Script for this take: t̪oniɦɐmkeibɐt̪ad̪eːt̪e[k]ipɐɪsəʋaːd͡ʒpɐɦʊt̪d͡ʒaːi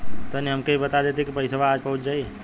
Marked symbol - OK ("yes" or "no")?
yes